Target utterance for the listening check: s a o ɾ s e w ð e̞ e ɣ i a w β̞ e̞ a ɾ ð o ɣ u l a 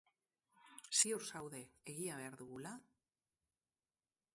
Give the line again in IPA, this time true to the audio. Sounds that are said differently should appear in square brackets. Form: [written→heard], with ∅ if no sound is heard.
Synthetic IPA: s [a→i] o ɾ s [e→a] w ð e̞ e ɣ i a [w→∅] β̞ e̞ a ɾ ð [o→u] ɣ u l a